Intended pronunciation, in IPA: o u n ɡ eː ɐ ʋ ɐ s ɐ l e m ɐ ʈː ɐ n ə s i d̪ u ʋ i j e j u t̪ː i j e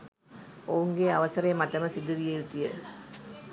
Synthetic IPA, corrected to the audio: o u ŋ ɡ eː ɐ ʋ ɐ s ɐ ɾ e m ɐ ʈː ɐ m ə s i d̪ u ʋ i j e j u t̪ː i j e